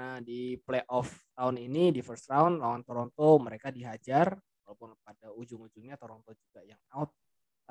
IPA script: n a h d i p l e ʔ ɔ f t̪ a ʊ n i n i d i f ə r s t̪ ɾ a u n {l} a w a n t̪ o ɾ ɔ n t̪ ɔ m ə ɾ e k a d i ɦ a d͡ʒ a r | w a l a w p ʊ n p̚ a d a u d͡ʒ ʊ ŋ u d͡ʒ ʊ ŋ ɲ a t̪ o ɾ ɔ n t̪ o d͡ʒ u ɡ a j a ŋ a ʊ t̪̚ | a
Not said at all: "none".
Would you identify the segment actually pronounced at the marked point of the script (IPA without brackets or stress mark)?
l